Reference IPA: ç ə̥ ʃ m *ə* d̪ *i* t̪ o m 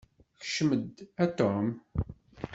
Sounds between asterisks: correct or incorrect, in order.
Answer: correct, incorrect: æ

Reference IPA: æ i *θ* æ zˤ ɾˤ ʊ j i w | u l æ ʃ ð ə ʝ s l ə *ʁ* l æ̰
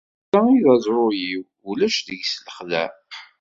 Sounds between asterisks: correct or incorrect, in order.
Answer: incorrect: ð, incorrect: χ

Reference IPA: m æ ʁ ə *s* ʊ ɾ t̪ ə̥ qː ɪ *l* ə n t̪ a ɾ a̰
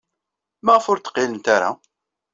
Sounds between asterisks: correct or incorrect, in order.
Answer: incorrect: f, correct

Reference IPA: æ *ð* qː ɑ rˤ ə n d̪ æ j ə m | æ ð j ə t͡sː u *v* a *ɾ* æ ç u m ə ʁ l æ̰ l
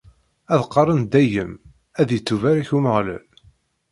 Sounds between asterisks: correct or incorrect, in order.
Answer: correct, correct, correct

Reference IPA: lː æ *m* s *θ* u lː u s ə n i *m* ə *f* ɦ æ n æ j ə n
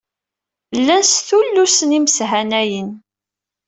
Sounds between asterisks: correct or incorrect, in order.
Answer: incorrect: n, correct, correct, incorrect: s

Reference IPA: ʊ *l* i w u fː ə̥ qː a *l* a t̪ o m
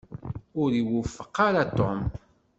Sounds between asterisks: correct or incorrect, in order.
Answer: incorrect: ɾ, incorrect: ɾ

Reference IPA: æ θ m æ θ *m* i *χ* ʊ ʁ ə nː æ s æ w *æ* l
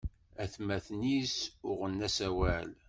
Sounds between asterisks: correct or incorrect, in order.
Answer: incorrect: n, incorrect: s, correct

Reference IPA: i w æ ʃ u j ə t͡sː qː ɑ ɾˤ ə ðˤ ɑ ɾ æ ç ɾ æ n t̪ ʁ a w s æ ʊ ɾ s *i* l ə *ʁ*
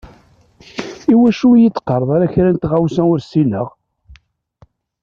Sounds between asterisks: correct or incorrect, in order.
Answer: correct, correct

